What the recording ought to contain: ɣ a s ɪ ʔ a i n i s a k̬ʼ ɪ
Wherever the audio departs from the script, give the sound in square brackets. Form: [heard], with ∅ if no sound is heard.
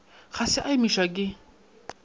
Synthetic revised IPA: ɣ a s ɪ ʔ a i [m] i [ʃ] a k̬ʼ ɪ